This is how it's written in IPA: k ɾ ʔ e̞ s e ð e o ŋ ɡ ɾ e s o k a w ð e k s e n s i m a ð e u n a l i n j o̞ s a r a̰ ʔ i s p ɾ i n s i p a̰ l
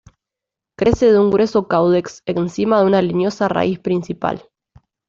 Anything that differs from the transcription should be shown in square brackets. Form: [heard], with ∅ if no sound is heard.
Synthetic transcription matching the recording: k ɾ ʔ e̞ s e ð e [u] ŋ ɡ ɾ e s o k a w ð e k s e n s i m a ð e u n a l i n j o̞ s a r a̰ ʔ i s p ɾ i n s i p a̰ l